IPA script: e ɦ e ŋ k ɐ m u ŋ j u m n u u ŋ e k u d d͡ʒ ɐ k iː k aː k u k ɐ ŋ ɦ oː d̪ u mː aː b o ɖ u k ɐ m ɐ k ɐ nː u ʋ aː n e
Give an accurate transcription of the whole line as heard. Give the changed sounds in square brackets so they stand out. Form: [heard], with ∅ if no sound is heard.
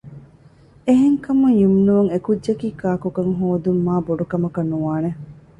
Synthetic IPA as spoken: e ɦ e ŋ k ɐ m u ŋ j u m n u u ŋ e k u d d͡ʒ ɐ k iː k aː k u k ɐ ŋ ɦ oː d̪ u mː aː b o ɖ u k ɐ m ɐ k ɐ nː u ʋ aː n e

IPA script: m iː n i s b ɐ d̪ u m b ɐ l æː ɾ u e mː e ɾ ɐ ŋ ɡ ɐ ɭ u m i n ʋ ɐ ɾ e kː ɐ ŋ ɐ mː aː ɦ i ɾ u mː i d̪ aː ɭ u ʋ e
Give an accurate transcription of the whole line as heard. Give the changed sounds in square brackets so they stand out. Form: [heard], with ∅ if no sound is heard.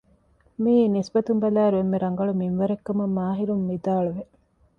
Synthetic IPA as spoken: m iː n i s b ɐ [t̪] u m b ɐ l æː ɾ u e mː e ɾ ɐ ŋ ɡ ɐ ɭ u m i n ʋ ɐ ɾ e kː ɐ [m] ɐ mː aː ɦ i ɾ u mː i d̪ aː ɭ u ʋ e

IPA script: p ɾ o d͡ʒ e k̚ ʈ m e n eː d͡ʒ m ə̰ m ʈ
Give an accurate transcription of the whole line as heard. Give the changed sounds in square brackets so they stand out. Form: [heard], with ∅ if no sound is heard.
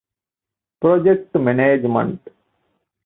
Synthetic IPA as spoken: p ɾ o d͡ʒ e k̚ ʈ m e n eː d͡ʒ m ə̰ [ɳ] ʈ

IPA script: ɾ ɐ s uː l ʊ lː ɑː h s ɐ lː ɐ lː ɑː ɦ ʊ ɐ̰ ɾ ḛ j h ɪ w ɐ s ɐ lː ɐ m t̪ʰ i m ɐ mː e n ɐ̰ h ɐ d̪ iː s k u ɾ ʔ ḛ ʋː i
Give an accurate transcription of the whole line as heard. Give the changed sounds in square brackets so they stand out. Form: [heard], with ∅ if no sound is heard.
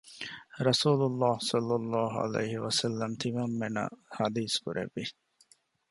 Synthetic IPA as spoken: ɾ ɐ s uː l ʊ lː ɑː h s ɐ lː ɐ lː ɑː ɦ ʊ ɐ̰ [l] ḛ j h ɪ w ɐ s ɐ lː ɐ m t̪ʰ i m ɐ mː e n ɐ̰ h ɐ d̪ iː s k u ɾ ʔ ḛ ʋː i

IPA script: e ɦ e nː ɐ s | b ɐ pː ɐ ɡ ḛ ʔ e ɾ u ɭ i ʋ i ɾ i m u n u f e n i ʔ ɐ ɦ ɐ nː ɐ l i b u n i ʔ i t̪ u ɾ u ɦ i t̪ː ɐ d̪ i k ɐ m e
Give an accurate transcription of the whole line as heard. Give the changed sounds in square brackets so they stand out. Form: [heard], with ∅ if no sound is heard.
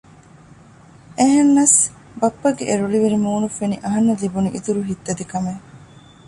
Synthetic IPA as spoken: e ɦ e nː ɐ s | b ɐ pː ɐ ɡ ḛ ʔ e ɾ u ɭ i ʋ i ɾ i m [uː] n u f e n i ʔ ɐ ɦ ɐ nː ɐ l i b u n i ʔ i t̪ u ɾ u ɦ i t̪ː ɐ d̪ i k ɐ m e

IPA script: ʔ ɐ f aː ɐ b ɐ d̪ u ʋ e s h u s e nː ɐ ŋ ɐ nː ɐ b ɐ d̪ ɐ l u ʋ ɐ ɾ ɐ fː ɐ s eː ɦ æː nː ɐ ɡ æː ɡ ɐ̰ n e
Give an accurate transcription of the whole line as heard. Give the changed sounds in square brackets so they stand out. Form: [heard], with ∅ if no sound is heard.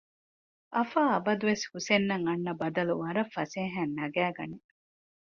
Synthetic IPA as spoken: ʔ ɐ f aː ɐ b ɐ d̪ u ʋ e s h u s e nː ɐ ŋ ɐ nː ɐ b ɐ d̪ ɐ l u ʋ ɐ ɾ ɐ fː ɐ s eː ɦ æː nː ɐ ɡ æː ɡ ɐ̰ n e

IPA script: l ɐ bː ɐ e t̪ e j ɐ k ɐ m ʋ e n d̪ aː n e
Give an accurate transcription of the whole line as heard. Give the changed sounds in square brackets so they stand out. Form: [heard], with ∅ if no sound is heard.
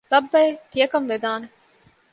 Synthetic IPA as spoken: l ɐ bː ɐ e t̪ [i] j ɐ k ɐ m ʋ e [∅] d̪ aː n e

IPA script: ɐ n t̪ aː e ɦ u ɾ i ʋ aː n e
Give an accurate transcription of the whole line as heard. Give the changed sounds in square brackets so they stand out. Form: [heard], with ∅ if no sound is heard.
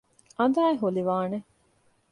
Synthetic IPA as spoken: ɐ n [d̪] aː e ɦ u [l] i ʋ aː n e

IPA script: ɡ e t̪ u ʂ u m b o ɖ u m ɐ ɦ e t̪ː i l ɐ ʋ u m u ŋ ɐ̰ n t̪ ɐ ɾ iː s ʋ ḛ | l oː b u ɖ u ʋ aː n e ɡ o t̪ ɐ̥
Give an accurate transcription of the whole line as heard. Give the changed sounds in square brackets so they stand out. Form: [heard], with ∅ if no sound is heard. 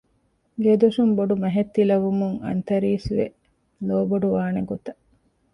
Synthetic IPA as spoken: ɡ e [d̪] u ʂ u m b o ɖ u m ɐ ɦ e t̪ː i l ɐ ʋ u m u ŋ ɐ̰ n t̪ ɐ ɾ iː s ʋ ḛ | l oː b [o] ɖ u ʋ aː n e ɡ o t̪ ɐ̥

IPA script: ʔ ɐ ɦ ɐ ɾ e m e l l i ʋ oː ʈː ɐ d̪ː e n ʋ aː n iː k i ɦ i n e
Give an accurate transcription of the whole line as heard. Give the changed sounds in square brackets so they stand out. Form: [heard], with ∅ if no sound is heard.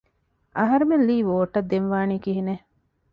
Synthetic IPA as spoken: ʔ ɐ ɦ ɐ ɾ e m e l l [iː] ʋ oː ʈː ɐ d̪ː e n ʋ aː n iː k i ɦ i n e

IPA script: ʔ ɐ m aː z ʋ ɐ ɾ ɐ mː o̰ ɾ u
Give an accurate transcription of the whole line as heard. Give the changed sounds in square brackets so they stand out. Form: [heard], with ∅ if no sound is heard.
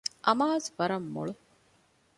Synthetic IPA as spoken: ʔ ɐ m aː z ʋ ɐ ɾ ɐ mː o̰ [ɭ] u

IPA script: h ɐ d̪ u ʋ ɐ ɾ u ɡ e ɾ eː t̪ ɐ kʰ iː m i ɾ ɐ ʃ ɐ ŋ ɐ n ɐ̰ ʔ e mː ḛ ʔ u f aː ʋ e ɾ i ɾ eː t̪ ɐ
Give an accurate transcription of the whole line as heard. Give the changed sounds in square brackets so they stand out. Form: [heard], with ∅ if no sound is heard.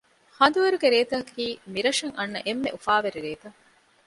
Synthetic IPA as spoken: h ɐ d̪ u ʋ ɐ ɾ u ɡ e ɾ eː t̪ ɐ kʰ iː m i ɾ ɐ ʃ ɐ ŋ ɐ [nː] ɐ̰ ʔ e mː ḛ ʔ u f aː ʋ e ɾ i ɾ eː t̪ ɐ

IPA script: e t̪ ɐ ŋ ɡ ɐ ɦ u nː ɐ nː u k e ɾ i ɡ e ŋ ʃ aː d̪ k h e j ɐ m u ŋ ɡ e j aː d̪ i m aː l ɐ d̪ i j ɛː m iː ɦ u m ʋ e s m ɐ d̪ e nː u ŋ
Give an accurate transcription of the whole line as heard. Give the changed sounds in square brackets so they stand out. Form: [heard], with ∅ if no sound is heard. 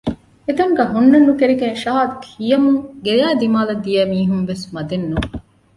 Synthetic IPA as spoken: e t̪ ɐ ŋ ɡ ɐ ɦ u nː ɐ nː u k e ɾ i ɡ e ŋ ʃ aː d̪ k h [i] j ɐ m u ŋ ɡ e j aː d̪ i m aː l ɐ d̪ i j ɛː m iː ɦ u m ʋ e s m ɐ d̪ e nː u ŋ

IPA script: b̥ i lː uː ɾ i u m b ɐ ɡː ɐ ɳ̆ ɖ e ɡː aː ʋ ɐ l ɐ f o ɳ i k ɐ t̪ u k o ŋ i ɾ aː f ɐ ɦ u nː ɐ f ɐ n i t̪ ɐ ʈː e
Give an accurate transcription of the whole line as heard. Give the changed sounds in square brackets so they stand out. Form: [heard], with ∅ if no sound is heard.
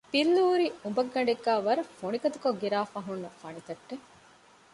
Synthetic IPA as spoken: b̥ i lː uː ɾ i u m b ɐ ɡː ɐ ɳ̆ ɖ e ɡː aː ʋ ɐ [ɾ] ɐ f o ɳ i k ɐ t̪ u k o [ɡ] i ɾ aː f ɐ ɦ u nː ɐ f ɐ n i t̪ ɐ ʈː e

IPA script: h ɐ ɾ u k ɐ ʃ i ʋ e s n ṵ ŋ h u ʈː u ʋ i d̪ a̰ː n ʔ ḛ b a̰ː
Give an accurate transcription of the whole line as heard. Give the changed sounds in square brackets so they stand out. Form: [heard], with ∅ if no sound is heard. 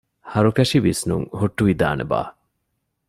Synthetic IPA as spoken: h ɐ ɾ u k ɐ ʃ i ʋ [i] s n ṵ ŋ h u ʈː u ʋ i d̪ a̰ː n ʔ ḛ b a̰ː

